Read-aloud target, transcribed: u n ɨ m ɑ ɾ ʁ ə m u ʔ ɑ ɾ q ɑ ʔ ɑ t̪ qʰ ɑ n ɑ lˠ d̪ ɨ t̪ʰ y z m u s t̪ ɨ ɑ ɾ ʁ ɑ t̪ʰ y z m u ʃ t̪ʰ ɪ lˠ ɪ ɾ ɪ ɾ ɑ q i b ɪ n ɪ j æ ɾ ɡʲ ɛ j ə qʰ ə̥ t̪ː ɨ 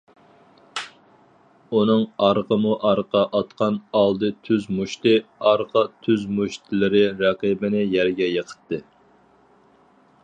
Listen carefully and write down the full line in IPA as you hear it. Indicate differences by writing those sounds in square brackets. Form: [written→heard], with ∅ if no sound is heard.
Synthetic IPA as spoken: u n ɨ [m→ŋ] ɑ ɾ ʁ ə m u ʔ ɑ ɾ q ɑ ʔ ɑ t̪ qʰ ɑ n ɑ lˠ d̪ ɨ t̪ʰ y z m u [s→ʃ] t̪ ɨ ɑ ɾ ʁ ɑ t̪ʰ y z m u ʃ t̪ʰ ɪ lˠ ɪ ɾ ɪ ɾ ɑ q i b ɪ n ɪ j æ ɾ ɡʲ ɛ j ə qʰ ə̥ t̪ː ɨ